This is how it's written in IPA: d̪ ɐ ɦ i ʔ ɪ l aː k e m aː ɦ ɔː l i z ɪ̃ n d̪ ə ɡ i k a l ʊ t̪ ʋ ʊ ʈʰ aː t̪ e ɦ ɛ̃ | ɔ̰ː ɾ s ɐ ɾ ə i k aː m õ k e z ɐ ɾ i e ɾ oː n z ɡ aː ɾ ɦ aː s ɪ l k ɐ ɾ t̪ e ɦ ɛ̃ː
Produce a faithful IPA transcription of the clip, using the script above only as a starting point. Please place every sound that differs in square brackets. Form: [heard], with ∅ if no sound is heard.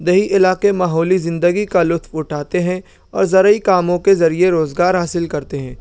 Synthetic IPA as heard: d̪ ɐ ɦ i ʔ ɪ l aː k e m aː ɦ ɔː l i z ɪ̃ n d̪ ə ɡ i k a l ʊ t̪ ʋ ʊ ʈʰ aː t̪ e ɦ ɛ̃ | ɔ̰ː ɾ [z] ɐ ɾ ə i k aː m õ k e z ɐ ɾ i e ɾ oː [∅] z ɡ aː ɾ ɦ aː s ɪ l k ɐ ɾ t̪ e ɦ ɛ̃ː